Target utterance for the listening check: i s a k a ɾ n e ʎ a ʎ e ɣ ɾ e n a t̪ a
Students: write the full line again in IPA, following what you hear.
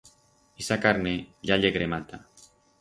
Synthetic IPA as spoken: i s a k a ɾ n e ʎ a ʎ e ɣ ɾ e m a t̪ a